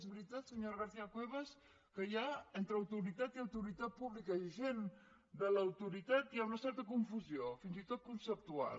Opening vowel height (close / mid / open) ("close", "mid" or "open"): close